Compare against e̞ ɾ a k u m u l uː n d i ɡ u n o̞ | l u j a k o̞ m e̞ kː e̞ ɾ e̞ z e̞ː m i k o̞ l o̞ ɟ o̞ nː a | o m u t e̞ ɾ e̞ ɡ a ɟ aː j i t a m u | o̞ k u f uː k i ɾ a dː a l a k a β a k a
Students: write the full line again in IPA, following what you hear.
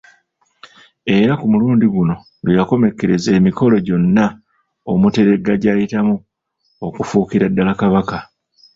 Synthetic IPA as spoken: e̞ ɾ a k u m u l uː n d i ɡ u n o̞ | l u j a k o̞ m e̞ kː e̞ ɾ e̞ z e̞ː m i k o̞ l o̞ ɟ o̞ nː a | o m u t e̞ ɾ e̞ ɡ a ɟ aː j i t a m u | o̞ k u f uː k i ɾ a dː a l a k a β a k a